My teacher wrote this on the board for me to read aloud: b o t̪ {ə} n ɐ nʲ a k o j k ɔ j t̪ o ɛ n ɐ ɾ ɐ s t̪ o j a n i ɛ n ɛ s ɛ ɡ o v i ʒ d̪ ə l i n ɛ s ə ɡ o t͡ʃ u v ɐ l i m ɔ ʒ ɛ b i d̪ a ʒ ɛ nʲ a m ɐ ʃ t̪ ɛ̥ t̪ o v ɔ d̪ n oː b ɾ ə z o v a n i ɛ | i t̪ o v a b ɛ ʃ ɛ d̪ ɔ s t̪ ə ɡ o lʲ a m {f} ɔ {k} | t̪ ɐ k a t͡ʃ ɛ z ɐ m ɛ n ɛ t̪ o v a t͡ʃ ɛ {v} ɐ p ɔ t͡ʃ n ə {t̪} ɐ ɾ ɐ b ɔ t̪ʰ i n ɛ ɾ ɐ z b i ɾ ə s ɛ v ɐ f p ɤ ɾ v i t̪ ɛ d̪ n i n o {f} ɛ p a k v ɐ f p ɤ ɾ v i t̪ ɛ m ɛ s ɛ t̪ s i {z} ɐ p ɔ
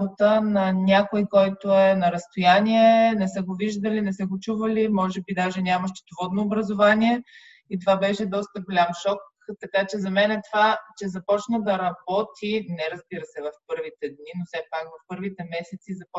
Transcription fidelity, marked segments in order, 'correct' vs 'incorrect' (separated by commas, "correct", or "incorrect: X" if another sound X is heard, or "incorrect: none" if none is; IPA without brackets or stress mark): correct, incorrect: ʃ, correct, incorrect: z, incorrect: d̪, incorrect: s, correct